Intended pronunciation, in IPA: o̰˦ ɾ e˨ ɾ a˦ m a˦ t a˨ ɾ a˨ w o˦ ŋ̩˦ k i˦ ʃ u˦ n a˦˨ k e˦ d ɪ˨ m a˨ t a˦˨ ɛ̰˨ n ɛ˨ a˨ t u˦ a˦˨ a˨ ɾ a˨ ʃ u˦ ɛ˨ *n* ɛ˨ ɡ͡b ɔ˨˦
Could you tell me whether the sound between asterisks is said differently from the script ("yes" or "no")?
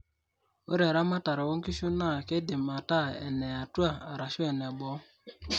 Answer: no